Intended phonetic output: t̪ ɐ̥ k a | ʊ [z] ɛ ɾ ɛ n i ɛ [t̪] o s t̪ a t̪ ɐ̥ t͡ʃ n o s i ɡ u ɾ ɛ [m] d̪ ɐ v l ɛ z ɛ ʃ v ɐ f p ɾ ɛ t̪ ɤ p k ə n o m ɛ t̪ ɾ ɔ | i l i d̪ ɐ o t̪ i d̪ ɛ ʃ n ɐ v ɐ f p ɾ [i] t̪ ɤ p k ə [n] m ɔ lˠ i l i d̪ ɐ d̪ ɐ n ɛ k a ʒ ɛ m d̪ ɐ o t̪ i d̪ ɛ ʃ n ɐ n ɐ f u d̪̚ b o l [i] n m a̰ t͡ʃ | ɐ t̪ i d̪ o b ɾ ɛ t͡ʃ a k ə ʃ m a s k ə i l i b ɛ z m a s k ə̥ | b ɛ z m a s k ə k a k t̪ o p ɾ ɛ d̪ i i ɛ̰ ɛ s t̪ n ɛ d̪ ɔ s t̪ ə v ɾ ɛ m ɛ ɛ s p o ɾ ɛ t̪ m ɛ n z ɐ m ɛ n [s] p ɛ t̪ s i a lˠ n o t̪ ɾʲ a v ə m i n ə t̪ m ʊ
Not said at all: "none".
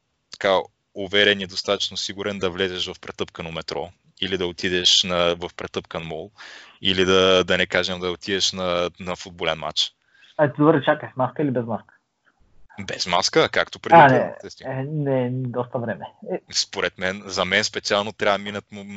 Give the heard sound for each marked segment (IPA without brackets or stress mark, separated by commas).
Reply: v, d̪, n, ɛ, n, ɛ, s